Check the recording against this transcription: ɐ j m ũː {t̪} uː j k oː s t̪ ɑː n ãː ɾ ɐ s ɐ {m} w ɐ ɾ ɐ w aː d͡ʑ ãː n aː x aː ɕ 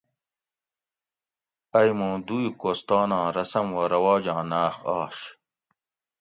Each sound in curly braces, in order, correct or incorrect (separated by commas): incorrect, correct